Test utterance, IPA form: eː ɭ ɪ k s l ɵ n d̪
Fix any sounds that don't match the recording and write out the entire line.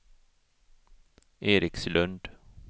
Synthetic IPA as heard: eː ɾ ɪ k s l ɵ n d̪